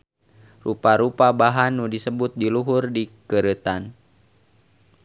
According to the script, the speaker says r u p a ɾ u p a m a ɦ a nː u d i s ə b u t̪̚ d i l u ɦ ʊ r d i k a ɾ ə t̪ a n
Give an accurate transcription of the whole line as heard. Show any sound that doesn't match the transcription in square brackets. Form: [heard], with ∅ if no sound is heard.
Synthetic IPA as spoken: r u p a ɾ u p a [b] a ɦ a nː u d i s ə b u t̪̚ d i l u ɦ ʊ r d i k [ə] ɾ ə t̪ a n